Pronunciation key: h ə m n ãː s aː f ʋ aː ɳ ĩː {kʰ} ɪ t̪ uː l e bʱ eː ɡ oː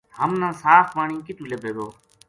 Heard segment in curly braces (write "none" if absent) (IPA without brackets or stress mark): k